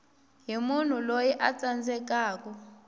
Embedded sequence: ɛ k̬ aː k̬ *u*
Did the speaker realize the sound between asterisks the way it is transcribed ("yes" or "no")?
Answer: no